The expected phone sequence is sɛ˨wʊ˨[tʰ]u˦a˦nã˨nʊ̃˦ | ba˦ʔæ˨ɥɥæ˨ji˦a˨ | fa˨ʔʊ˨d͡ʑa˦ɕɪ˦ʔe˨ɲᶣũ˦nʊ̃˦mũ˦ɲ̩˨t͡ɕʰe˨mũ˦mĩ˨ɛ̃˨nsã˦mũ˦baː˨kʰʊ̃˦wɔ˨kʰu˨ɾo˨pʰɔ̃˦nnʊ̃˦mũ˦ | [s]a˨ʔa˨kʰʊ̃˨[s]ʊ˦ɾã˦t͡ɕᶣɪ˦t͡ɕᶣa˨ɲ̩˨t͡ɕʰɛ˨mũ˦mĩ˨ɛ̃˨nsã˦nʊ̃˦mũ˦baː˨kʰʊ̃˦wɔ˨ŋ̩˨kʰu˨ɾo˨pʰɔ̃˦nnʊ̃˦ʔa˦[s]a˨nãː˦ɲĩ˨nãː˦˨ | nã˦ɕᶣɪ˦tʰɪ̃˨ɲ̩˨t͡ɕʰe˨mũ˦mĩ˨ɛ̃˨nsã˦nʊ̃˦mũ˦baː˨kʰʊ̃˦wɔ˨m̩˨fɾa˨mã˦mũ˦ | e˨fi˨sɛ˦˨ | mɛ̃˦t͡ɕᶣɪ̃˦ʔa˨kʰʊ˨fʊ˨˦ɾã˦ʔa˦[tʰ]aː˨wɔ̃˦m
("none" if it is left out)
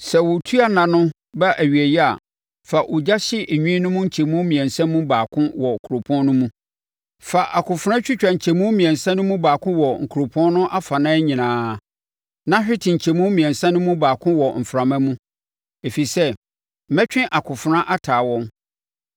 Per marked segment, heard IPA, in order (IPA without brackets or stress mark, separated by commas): tʰ, f, f, f, tʰ